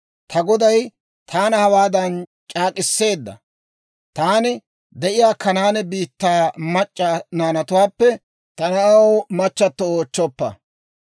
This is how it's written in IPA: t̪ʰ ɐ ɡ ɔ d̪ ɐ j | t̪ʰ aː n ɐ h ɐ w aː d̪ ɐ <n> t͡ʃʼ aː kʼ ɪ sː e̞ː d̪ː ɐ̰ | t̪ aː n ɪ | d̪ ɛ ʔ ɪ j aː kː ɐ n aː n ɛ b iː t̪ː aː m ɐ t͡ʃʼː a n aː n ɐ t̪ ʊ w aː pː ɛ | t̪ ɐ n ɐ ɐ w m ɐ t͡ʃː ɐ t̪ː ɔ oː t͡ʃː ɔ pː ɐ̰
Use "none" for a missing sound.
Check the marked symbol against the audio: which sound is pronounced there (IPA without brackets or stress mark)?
n